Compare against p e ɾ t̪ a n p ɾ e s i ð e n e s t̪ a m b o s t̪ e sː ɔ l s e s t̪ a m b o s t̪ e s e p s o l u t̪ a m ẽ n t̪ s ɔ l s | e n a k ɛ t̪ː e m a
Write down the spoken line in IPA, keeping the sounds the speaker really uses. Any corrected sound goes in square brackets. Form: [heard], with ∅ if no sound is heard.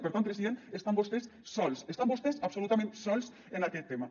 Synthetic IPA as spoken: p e ɾ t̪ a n p ɾ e s i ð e n e s t̪ a m b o s t̪ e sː ɔ l s e s t̪ a m b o s t̪ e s [a] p s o l u t̪ a m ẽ n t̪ s ɔ l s | e n a k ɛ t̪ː e m a